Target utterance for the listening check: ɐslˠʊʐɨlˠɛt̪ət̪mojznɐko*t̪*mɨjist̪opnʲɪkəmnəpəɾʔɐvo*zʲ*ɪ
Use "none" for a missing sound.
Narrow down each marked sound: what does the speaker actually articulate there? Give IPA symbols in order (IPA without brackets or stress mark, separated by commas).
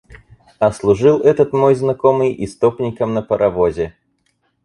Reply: none, zʲ